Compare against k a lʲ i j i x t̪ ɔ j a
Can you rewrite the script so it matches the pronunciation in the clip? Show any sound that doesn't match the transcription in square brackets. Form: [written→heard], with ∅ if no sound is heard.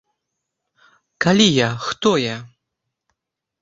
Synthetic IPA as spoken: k a lʲ i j [i→a] x t̪ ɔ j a